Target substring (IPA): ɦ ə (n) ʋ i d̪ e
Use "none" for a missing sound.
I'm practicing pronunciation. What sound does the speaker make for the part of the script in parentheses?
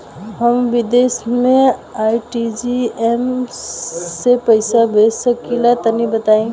m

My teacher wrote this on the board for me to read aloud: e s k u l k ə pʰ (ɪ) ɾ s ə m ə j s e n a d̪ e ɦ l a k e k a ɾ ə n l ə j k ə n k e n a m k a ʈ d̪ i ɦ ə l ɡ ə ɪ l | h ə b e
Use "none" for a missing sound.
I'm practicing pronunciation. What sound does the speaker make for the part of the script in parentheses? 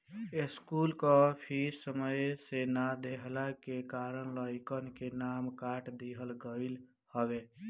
i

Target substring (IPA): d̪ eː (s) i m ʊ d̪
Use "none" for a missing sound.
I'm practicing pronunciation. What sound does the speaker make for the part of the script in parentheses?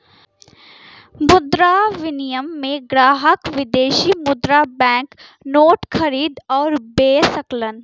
ʃ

